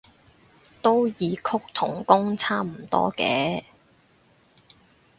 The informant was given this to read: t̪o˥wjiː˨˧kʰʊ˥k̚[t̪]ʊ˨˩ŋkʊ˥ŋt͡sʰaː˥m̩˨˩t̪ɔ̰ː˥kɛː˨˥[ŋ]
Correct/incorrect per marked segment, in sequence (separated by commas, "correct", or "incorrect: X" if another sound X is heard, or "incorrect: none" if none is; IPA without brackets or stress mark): incorrect: t̪ʰ, incorrect: none